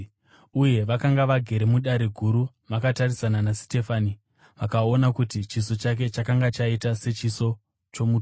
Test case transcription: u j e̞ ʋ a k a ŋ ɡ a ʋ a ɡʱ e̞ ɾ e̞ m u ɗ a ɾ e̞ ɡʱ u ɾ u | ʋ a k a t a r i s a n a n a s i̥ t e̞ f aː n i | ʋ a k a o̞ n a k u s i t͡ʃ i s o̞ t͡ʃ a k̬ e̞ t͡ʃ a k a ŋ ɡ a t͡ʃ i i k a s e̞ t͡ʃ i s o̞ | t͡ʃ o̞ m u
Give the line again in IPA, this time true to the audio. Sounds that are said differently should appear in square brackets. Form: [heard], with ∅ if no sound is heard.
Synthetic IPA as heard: u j e̞ ʋ a k a ŋ ɡ a ʋ a ɡʱ e̞ ɾ e̞ m u ɗ a ɾ e̞ ɡʱ u ɾ u | ʋ a k a t a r i s a n a n a s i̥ t e̞ f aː n i | ʋ a k a o̞ n a k u [t] i t͡ʃ i s o̞ t͡ʃ a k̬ e̞ t͡ʃ a k a ŋ ɡ a t͡ʃ [a] i [t] a s e̞ t͡ʃ i s o̞ | t͡ʃ o̞ m u